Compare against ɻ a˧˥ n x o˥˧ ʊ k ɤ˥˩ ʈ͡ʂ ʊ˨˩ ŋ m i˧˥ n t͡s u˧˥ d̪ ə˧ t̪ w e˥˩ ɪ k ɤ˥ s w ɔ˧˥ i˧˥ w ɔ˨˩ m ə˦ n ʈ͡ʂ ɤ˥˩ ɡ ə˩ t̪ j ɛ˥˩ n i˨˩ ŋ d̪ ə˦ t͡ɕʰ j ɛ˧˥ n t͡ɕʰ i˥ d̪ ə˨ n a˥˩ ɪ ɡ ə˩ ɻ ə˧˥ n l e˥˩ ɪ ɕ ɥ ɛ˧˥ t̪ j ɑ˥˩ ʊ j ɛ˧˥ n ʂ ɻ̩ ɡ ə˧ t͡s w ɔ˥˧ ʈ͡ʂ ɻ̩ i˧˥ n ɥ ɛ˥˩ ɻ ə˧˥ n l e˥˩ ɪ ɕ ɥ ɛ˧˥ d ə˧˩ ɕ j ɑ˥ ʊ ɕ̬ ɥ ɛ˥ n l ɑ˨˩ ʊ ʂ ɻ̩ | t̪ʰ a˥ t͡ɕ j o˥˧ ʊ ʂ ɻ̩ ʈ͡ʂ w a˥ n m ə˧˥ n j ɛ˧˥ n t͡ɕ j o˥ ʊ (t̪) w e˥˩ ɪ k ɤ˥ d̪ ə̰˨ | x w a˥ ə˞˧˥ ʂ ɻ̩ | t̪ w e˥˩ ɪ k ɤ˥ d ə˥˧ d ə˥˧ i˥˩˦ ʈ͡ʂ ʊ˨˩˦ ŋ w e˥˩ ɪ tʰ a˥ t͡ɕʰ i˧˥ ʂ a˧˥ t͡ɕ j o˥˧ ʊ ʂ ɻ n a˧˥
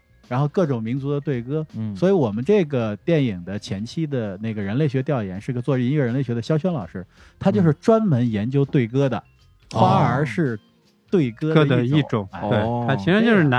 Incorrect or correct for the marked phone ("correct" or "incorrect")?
correct